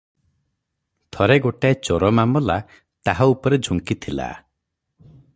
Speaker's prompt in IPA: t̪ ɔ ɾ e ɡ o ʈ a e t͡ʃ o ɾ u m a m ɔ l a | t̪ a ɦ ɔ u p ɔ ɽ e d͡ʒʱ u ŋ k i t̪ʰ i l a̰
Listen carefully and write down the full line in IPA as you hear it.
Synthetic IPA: t̪ʰ ɔ ɾ e ɡ o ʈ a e t͡ʃ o ɾ ɔ m a m ɔ l a | t̪ a ɦ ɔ u p ɔ ɾ e d͡ʒʱ u ŋ k i t̪ʰ i l a̰